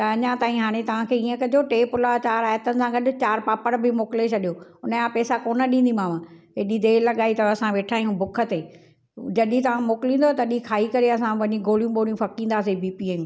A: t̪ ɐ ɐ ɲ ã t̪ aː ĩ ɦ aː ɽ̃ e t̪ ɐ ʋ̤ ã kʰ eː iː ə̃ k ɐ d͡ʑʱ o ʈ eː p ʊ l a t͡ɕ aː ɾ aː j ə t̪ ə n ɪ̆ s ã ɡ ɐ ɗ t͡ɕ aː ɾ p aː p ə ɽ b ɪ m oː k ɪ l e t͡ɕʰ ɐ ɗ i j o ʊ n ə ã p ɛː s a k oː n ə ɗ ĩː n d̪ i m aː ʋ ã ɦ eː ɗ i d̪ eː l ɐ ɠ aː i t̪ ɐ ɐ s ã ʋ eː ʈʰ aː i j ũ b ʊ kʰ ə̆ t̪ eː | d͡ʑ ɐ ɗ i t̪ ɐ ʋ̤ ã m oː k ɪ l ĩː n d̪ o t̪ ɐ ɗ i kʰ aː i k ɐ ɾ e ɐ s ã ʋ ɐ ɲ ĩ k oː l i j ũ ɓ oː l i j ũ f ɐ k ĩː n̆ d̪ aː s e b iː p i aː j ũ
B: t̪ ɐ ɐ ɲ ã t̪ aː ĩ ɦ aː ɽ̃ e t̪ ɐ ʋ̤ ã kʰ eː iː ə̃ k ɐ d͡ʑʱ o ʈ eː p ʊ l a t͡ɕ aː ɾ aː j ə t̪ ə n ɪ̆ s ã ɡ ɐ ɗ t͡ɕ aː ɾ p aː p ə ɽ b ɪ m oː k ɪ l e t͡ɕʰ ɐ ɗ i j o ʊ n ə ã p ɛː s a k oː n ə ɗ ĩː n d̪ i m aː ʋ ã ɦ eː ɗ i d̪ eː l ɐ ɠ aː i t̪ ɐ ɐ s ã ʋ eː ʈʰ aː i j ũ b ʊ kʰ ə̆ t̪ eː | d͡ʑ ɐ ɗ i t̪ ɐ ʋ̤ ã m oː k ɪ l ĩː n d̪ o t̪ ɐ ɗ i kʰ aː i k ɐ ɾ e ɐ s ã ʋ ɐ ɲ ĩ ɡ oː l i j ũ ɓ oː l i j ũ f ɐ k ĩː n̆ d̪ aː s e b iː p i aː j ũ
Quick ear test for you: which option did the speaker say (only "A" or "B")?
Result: B